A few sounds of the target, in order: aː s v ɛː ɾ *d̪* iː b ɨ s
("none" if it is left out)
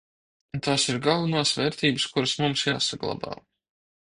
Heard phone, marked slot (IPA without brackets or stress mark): t̪